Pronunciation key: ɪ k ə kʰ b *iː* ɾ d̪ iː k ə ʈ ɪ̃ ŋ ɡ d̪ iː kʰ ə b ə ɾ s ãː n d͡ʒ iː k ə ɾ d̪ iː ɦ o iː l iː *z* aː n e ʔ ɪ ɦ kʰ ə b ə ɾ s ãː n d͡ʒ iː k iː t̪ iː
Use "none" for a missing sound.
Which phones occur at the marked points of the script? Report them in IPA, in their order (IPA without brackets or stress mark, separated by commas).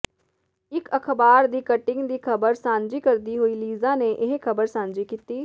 aː, z